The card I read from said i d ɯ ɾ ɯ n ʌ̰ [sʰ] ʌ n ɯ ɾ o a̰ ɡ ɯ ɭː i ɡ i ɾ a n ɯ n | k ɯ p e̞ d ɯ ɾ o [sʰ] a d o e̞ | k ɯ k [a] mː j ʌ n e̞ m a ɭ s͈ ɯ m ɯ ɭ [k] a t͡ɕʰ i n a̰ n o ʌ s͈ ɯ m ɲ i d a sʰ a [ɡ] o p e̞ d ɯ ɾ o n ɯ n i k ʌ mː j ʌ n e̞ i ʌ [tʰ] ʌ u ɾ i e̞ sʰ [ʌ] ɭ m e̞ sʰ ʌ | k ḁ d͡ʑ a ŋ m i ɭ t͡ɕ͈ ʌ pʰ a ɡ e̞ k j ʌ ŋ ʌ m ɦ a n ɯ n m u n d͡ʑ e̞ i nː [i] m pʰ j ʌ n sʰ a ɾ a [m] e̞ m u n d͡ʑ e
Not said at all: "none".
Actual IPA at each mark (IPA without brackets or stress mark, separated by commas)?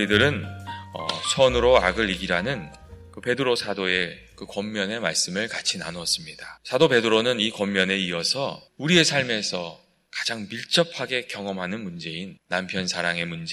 sʰ, sʰ, ʌ, k, d, sʰ, a, a, ŋ